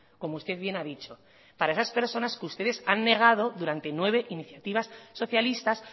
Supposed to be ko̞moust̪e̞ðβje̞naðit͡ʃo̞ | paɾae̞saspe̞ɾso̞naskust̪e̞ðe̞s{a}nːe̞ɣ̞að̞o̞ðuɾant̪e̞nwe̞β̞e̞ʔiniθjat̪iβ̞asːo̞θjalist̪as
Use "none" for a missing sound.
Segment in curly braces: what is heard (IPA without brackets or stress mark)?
a